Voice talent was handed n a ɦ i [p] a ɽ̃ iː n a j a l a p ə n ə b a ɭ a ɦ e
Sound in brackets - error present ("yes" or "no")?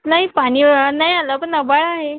no